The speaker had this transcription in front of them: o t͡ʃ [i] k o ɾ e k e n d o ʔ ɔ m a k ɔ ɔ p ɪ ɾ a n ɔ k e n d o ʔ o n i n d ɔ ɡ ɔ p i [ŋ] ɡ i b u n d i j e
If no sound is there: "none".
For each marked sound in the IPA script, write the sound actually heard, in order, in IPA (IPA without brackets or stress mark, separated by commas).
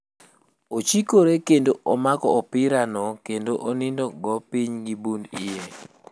i, ɲ